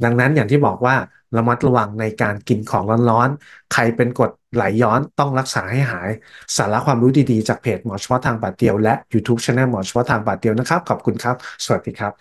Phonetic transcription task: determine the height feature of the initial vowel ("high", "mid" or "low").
low